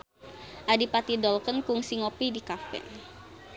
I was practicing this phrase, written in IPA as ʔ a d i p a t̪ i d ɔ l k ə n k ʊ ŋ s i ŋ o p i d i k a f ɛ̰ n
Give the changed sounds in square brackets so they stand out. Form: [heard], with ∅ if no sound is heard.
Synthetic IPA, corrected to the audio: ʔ a d i p a t̪ i d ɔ l k ə n k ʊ ŋ s i ŋ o p i d i k a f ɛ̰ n